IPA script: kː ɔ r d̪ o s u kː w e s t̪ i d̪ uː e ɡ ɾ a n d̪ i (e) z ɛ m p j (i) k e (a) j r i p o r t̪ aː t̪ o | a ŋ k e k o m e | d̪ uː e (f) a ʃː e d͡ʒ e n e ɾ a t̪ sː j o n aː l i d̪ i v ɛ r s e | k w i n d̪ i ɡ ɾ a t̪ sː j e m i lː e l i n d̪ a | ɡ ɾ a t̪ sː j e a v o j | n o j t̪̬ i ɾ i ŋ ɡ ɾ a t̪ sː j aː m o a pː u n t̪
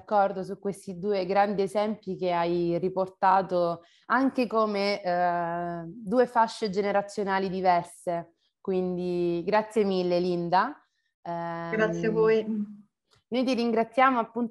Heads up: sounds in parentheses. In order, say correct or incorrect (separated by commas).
correct, correct, correct, correct